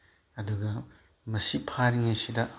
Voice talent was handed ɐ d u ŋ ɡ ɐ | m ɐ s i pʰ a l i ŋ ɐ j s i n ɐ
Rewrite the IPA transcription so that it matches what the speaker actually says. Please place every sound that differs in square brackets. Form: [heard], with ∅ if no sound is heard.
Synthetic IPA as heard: ɐ d u [∅] ɡ ɐ | m ɐ s i pʰ a [ɾ] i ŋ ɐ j s i [d] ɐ

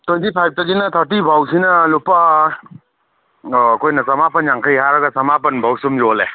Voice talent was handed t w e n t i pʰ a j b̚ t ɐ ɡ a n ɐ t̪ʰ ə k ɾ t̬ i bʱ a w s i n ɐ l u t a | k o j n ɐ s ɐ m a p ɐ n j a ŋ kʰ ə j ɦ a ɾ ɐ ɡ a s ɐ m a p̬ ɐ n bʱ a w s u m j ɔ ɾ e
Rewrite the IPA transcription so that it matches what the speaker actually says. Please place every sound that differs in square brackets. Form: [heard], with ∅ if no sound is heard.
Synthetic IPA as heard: t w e n t i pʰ a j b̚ t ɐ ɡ [i] n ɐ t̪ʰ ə [∅] ɾ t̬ i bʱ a w s i n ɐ l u [p] a | k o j n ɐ s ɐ m a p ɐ n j a ŋ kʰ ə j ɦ a ɾ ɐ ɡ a s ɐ m a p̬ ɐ n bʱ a w s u m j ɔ [l] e

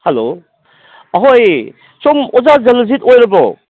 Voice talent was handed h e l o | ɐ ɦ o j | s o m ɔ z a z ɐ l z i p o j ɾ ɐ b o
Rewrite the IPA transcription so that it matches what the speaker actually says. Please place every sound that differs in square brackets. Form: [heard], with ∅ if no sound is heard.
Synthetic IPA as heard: h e l o | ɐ ɦ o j | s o m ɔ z a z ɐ l z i [t] o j ɾ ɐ b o

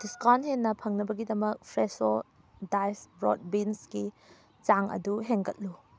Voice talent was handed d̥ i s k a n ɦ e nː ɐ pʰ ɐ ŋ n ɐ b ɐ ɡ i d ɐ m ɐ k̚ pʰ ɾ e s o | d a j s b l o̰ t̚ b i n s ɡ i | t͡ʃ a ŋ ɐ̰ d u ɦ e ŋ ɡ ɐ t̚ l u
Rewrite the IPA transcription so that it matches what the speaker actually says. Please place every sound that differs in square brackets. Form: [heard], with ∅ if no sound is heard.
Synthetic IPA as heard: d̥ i s k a n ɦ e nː ɐ pʰ ɐ ŋ n ɐ b ɐ ɡ i d ɐ m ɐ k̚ pʰ ɾ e s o | d a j s b [ɾ] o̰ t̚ b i n s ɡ i | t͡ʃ a ŋ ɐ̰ d u ɦ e ŋ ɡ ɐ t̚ l u

